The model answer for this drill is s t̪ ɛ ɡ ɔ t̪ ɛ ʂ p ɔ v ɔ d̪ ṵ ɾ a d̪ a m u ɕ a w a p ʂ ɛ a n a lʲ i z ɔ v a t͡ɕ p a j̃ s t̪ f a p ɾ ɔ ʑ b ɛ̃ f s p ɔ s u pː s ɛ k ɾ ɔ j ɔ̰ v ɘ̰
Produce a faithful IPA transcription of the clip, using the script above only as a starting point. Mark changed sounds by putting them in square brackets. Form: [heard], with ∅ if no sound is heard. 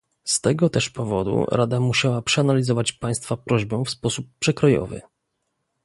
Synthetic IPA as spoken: s t̪ ɛ ɡ ɔ t̪ ɛ ʂ p ɔ v ɔ d̪ ṵ ɾ a d̪ a m u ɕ a w a p ʂ ɛ a n a lʲ i z ɔ v a t͡ɕ p a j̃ s t̪ f a p ɾ ɔ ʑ b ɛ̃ f s p ɔ s u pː [ʂ] ɛ k ɾ ɔ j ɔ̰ v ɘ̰